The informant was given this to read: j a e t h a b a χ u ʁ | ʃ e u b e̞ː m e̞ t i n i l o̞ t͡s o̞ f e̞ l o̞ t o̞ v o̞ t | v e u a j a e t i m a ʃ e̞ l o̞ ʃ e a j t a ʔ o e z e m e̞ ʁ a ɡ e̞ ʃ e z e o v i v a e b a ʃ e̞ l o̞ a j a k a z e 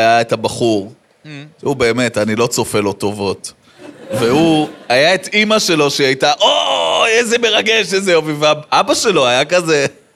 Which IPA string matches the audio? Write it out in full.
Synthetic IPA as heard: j a e t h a b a χ u ʁ | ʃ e u b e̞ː m e̞ t a n i l o̞ t͡s o̞ f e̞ l o̞ t o̞ v o̞ t | v e u a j a e t i m a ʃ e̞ l o̞ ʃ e a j t a ʔ o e z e m e̞ ʁ a ɡ e̞ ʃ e z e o v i v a a b a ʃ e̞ l o̞ a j a k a z e